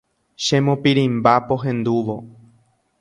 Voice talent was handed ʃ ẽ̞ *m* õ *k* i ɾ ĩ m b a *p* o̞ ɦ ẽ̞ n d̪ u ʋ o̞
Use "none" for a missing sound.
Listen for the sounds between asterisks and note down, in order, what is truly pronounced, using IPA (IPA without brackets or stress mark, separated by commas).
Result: m, p, p